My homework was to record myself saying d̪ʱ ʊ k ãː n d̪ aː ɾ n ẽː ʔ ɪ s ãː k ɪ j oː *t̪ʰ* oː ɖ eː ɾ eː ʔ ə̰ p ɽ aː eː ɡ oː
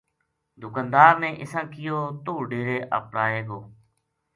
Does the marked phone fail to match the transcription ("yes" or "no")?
yes